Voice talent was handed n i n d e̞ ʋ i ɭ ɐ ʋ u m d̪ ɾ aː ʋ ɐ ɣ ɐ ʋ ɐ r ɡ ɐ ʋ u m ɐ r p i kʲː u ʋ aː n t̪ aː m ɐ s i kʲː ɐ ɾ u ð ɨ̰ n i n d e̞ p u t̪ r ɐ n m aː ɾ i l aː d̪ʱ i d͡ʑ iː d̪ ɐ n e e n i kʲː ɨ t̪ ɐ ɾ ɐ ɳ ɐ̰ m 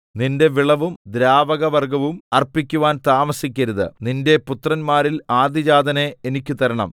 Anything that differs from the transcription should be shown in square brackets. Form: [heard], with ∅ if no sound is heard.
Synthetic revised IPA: n i n d e̞ ʋ i ɭ ɐ ʋ u m d̪ ɾ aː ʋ ɐ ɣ ɐ ʋ ɐ r ɡ ɐ ʋ u m ɐ r p i kʲː u ʋ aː n t̪ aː m ɐ s i kʲː ɐ ɾ u ð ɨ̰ n i n d e̞ p u t̪ r ɐ n m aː ɾ i l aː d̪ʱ i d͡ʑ [aː] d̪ ɐ n e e n i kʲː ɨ t̪ ɐ ɾ ɐ ɳ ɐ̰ m